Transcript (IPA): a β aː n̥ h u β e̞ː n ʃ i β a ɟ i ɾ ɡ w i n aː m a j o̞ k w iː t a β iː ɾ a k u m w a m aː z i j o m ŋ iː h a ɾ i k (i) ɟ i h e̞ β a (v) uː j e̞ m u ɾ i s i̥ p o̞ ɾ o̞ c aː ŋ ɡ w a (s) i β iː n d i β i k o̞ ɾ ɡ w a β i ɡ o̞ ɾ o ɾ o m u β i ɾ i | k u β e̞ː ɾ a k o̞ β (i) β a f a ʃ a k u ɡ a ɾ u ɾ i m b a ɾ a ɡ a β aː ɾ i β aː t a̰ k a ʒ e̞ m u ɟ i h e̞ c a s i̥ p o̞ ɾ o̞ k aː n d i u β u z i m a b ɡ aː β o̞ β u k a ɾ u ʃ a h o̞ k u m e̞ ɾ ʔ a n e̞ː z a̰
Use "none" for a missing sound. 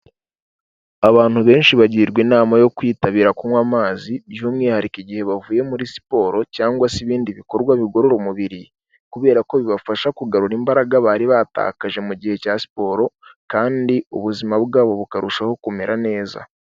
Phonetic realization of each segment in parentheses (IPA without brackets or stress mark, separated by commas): i, v, s, i